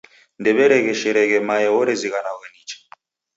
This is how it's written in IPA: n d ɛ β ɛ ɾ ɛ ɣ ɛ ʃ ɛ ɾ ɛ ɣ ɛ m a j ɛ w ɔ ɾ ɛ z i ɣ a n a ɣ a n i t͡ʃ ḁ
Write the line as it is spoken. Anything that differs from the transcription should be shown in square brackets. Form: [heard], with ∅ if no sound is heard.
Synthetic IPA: n d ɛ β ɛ ɾ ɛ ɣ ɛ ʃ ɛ ɾ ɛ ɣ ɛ m a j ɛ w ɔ ɾ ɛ z i ɣ a n a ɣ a n i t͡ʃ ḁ